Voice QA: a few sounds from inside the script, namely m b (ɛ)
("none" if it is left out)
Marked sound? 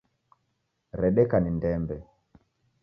ɛ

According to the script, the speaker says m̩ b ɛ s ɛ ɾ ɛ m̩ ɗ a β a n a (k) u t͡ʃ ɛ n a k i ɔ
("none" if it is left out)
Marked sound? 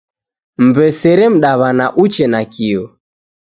ʔ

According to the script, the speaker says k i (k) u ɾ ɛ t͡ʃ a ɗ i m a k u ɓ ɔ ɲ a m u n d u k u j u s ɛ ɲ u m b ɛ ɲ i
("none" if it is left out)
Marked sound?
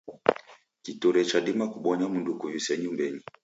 t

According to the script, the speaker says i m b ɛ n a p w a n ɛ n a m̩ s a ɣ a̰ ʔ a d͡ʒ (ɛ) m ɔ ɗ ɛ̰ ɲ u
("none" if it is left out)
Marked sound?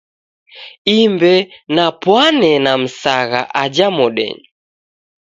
a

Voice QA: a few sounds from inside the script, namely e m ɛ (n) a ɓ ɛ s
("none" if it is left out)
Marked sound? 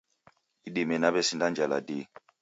n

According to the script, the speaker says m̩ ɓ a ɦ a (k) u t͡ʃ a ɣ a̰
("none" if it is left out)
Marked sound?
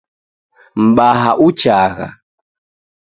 ʔ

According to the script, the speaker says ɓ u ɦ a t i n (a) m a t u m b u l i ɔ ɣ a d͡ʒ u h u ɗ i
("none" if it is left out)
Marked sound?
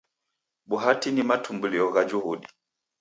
i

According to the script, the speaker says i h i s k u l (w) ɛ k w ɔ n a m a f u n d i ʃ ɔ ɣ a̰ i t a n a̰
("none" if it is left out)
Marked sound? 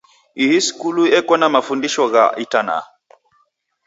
u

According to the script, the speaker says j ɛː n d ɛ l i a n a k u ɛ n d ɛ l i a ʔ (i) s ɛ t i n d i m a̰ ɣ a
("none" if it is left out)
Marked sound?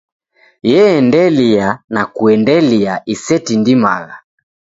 i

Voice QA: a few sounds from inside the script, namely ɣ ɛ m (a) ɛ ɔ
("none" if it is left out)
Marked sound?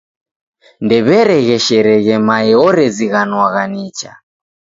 a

